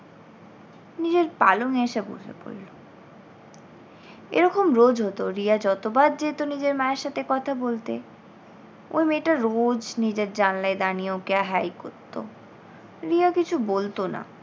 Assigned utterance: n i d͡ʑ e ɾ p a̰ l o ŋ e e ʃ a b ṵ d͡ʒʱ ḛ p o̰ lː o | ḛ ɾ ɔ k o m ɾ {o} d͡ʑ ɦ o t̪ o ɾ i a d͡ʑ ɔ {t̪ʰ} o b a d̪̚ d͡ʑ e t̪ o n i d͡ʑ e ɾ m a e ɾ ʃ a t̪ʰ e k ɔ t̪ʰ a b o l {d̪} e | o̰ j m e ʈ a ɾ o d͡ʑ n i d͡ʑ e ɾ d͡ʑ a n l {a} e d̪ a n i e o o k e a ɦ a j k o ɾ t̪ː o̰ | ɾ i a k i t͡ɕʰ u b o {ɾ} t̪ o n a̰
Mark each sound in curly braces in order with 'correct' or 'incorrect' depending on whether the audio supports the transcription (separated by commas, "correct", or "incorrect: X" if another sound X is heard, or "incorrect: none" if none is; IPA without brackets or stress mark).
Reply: correct, incorrect: t̪, incorrect: t̪, correct, incorrect: l